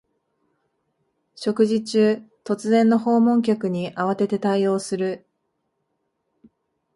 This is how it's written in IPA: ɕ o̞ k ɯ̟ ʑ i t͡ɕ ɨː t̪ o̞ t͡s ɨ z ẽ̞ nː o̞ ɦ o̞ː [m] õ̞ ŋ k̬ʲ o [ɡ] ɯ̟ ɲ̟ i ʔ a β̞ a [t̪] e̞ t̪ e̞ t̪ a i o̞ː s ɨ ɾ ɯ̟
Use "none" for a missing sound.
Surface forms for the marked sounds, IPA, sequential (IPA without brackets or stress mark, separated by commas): m, k, t̪